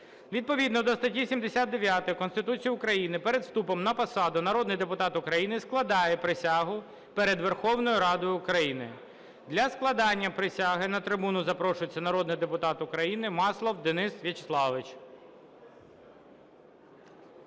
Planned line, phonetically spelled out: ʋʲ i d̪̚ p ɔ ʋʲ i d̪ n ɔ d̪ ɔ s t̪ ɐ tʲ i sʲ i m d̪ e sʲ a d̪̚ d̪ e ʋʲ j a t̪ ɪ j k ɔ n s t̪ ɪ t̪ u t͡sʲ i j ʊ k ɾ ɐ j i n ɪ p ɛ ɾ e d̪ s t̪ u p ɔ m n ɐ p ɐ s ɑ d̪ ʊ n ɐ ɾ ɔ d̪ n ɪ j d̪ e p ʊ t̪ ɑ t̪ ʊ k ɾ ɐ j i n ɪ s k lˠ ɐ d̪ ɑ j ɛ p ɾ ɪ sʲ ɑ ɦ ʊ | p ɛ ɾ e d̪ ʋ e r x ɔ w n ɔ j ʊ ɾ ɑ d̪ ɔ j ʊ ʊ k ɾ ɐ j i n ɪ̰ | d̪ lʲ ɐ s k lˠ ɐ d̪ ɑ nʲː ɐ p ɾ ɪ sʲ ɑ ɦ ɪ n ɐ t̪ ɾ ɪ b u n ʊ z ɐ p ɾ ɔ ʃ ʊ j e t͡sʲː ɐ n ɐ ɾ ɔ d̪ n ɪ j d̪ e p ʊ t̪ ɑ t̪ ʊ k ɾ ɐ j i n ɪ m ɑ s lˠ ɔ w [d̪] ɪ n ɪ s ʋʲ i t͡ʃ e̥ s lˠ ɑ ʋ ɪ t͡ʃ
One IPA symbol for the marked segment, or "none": d̪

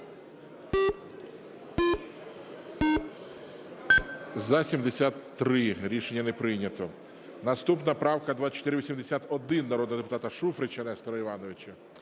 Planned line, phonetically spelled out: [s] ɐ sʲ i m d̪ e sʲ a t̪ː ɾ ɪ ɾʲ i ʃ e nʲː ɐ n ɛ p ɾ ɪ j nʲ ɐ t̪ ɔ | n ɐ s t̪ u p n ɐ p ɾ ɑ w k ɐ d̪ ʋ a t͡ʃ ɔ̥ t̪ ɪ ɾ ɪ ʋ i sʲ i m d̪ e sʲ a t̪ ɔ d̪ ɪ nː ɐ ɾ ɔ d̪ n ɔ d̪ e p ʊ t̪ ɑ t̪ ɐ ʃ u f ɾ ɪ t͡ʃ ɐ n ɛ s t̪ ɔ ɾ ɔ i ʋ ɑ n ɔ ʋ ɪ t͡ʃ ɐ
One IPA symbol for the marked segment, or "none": z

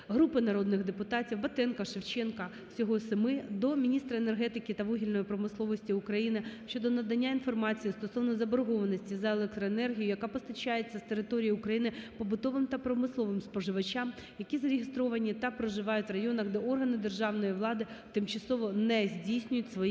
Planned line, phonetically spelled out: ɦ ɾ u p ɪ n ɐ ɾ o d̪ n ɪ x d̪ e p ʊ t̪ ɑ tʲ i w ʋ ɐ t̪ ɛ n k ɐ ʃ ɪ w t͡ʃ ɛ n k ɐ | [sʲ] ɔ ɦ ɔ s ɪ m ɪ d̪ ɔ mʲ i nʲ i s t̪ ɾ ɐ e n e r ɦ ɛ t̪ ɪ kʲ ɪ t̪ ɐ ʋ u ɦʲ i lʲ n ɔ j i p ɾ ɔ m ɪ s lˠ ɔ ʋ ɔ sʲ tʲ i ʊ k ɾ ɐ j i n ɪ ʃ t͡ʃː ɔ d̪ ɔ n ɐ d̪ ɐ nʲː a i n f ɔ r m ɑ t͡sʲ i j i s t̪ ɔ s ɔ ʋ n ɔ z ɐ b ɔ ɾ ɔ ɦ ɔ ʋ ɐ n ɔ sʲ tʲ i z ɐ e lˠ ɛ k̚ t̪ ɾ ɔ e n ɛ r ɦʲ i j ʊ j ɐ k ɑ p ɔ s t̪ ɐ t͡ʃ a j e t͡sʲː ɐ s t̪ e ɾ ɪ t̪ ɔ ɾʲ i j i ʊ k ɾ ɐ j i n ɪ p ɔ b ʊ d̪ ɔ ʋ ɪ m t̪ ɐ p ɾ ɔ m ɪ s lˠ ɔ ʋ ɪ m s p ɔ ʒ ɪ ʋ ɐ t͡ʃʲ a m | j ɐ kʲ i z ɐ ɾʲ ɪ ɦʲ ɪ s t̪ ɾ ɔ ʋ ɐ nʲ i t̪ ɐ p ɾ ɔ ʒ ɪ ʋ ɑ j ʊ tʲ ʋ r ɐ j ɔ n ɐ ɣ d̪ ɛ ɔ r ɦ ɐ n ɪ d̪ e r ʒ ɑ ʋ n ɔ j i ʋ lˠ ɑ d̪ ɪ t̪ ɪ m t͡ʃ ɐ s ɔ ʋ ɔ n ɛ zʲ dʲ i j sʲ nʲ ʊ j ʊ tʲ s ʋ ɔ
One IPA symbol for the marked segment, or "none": sʲ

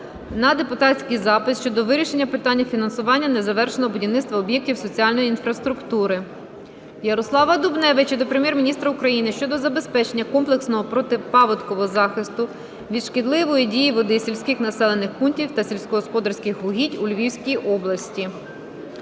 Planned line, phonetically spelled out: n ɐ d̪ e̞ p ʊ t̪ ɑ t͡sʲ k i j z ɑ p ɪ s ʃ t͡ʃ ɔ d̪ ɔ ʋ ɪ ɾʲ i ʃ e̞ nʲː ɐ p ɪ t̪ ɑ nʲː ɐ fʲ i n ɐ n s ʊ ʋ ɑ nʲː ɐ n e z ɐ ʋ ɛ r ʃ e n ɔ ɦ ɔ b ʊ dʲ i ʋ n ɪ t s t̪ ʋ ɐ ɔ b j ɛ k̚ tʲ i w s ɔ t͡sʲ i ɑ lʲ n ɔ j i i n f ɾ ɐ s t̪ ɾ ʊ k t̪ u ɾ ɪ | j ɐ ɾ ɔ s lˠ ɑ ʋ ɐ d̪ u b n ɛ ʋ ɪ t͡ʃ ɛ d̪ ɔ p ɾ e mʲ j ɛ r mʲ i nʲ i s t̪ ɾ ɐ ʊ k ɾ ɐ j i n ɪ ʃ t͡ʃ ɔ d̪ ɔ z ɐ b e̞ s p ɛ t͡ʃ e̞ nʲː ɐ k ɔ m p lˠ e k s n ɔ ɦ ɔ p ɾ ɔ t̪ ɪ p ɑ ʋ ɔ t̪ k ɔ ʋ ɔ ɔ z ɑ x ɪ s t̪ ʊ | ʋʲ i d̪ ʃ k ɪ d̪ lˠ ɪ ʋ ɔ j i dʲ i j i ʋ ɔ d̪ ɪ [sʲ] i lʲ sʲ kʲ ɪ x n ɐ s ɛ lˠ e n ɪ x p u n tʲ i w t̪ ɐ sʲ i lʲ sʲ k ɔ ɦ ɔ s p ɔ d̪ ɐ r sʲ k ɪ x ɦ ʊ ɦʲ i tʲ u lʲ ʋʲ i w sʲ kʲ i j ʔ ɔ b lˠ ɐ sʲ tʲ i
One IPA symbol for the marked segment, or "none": sʲ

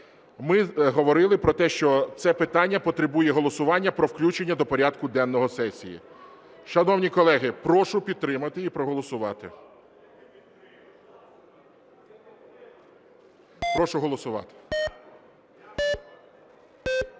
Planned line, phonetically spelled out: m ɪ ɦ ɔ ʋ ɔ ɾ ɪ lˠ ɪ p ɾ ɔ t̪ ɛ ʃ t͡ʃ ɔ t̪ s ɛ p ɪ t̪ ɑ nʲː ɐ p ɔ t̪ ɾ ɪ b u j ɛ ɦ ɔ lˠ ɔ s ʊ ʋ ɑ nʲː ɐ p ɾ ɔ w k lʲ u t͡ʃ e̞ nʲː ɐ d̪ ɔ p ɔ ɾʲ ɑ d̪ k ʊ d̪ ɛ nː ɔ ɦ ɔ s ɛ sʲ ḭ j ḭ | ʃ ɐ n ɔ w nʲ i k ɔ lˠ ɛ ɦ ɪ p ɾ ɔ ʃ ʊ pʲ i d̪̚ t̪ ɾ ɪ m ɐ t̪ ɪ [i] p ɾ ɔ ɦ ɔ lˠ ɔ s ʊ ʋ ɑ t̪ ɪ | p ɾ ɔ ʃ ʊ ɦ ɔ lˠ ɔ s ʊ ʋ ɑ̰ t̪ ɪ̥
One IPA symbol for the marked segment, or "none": i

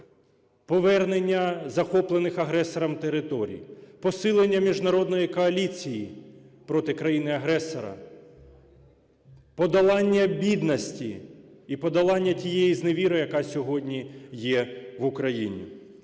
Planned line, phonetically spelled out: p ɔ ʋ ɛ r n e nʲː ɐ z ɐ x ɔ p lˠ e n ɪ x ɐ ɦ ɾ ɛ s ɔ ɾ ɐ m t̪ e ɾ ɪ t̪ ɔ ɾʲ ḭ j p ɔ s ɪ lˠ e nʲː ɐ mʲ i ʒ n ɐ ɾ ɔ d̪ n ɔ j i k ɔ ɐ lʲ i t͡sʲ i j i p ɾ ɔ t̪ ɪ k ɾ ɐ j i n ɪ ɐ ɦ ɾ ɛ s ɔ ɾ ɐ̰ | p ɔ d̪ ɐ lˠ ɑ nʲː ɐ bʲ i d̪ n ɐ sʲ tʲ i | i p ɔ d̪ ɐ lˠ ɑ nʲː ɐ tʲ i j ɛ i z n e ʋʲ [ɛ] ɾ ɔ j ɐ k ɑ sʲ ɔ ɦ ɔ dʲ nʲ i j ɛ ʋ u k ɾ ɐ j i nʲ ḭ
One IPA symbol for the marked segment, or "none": i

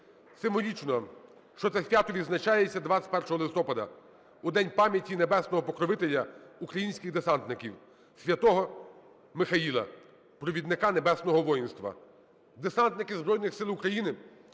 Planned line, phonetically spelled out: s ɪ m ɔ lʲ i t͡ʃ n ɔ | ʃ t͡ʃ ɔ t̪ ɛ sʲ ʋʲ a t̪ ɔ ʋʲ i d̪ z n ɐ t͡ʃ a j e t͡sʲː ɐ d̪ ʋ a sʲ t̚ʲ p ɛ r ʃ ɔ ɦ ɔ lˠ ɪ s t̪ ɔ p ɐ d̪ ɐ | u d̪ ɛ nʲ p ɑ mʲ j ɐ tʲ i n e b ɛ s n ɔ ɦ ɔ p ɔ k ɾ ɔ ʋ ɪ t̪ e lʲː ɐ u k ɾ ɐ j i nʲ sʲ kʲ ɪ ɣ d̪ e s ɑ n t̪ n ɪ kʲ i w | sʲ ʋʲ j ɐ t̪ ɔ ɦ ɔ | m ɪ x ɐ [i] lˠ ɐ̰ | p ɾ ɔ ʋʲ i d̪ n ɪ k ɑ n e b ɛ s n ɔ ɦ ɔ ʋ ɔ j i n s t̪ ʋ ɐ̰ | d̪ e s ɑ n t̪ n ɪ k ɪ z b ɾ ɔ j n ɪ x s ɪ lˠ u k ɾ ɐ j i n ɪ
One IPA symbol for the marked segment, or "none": i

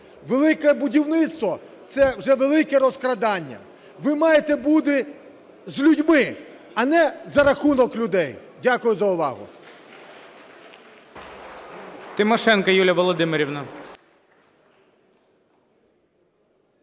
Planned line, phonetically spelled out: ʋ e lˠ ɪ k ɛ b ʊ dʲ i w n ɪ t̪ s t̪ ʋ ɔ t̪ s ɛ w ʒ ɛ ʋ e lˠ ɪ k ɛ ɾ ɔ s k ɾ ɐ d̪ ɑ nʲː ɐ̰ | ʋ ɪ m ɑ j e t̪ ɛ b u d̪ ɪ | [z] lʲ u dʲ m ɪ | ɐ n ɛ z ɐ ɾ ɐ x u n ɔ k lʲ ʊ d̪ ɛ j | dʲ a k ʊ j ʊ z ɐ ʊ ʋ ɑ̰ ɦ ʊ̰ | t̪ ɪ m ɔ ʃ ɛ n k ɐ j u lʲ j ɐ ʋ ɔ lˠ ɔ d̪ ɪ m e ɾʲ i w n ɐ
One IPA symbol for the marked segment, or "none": z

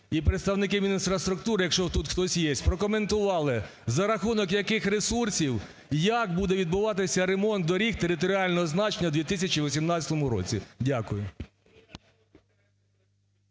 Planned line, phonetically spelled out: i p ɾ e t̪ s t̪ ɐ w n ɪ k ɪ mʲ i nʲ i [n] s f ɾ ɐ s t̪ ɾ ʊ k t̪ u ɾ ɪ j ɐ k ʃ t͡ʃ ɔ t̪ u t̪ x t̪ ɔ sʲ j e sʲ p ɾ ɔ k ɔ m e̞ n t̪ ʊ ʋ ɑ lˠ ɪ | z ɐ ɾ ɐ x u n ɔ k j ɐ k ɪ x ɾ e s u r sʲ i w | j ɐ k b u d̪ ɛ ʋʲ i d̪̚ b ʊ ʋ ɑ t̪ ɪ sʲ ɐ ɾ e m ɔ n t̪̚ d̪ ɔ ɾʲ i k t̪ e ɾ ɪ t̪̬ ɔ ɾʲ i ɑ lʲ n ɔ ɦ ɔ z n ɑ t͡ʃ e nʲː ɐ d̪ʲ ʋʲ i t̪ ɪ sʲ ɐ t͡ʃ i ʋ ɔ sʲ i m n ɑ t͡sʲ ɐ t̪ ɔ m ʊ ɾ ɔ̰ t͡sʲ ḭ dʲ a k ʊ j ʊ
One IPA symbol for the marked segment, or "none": n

